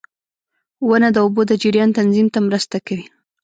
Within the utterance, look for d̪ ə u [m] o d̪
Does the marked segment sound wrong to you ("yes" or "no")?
yes